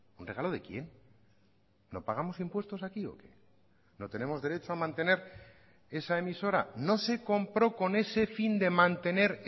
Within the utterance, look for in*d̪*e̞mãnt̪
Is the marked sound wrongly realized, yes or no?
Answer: no